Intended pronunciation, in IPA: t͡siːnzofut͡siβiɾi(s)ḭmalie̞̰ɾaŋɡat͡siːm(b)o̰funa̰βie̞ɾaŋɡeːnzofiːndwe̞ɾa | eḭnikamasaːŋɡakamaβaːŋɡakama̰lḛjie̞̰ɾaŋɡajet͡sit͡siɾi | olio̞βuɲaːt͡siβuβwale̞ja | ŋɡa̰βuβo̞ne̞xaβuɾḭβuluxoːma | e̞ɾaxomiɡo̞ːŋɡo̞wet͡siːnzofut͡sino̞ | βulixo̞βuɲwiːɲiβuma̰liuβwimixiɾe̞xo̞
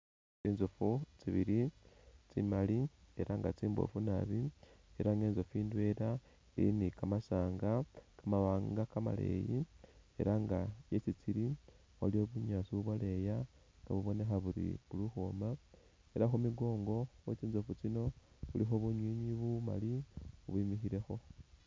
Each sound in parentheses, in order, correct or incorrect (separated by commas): incorrect, correct